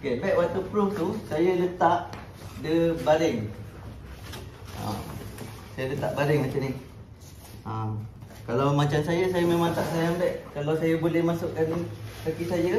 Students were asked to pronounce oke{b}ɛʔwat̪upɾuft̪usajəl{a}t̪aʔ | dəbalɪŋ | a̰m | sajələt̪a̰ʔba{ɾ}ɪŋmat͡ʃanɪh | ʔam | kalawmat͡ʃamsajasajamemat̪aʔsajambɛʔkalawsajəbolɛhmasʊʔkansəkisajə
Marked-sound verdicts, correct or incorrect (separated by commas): correct, incorrect, incorrect